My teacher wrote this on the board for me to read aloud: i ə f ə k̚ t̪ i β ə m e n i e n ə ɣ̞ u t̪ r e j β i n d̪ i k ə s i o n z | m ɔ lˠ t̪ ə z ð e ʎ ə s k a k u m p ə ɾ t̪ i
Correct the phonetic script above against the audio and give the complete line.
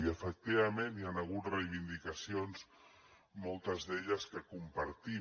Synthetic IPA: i ə f ə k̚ t̪ i β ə m e n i a n ə ɣ̞ u t̪ r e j β i n d̪ i k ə s i o n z | m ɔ lˠ t̪ ə z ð e ʎ ə s k ə k u m p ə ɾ t̪ i